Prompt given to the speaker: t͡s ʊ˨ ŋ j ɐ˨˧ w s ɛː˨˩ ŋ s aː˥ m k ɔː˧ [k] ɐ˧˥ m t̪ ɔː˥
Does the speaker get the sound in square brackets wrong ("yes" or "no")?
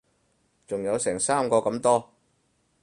no